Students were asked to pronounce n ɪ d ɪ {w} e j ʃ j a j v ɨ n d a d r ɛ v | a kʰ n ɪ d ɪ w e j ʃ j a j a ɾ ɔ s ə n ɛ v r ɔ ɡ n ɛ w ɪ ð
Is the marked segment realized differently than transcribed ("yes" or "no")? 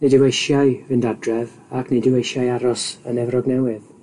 no